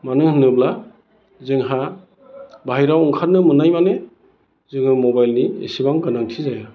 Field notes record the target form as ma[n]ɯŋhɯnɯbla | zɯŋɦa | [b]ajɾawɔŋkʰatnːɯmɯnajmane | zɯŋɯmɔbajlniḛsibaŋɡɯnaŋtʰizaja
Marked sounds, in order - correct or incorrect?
correct, correct

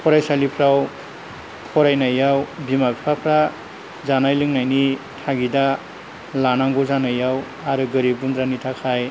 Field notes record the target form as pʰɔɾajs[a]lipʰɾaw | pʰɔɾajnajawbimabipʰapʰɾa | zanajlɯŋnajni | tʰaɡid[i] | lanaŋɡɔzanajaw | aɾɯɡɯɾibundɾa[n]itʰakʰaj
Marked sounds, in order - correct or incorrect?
correct, incorrect: a, correct

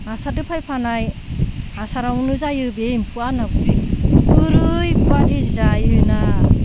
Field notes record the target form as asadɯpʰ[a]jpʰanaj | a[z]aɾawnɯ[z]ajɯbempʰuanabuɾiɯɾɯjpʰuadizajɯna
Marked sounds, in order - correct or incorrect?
correct, incorrect: s, correct

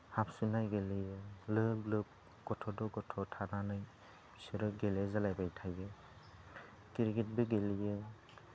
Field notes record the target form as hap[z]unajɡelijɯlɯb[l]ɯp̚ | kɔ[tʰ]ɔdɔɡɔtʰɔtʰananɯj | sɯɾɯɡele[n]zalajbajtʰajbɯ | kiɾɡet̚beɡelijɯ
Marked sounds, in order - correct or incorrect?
incorrect: s, correct, correct, incorrect: none

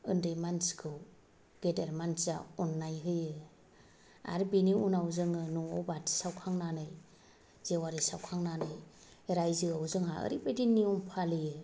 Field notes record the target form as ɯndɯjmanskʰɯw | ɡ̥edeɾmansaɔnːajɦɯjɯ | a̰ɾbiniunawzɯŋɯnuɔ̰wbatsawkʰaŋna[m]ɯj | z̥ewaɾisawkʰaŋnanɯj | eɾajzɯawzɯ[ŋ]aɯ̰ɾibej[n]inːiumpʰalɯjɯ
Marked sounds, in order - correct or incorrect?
incorrect: n, correct, incorrect: d

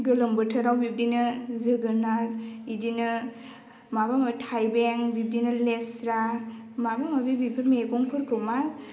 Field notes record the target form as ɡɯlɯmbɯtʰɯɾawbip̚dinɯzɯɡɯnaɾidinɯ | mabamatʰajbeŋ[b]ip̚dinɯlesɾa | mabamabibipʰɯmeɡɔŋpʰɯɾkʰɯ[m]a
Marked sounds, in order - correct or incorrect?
correct, correct

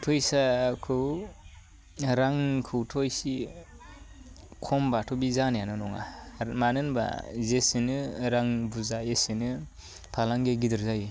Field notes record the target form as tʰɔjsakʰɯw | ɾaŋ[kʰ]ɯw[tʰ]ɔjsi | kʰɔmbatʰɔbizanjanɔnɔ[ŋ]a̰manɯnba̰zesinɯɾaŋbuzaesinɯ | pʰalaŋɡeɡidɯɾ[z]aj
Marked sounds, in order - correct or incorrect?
correct, correct, correct, correct

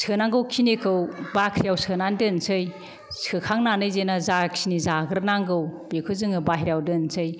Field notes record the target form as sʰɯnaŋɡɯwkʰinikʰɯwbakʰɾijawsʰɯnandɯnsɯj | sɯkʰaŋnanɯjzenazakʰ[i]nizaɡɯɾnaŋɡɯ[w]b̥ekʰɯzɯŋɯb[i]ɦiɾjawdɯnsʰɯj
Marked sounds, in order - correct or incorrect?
correct, correct, incorrect: a

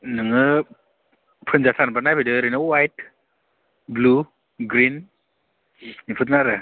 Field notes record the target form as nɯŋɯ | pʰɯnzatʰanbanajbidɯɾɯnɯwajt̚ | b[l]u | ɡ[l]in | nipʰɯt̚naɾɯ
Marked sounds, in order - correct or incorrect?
correct, incorrect: ɾ

